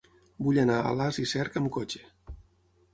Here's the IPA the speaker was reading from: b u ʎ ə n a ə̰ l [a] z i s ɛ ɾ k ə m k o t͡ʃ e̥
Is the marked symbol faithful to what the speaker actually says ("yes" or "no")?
yes